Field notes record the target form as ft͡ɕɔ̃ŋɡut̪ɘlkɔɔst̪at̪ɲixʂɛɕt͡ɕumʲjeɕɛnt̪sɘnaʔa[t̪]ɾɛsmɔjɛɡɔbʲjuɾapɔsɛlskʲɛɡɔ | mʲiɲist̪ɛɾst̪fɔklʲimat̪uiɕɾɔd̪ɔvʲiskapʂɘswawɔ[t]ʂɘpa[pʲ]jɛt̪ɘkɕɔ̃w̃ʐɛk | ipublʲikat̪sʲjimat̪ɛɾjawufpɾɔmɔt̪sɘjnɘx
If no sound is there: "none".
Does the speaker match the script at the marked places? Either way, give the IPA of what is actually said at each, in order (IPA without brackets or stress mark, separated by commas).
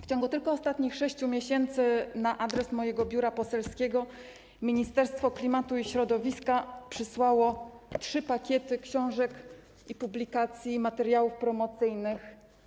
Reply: d̪, t, kʲ